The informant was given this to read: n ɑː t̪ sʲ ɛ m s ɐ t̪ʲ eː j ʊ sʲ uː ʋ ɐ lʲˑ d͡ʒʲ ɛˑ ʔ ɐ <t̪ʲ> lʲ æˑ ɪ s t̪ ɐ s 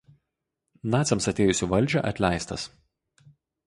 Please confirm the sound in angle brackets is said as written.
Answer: yes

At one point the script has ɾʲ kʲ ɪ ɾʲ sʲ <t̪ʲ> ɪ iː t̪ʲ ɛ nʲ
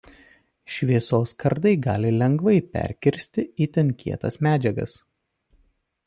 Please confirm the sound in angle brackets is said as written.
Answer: yes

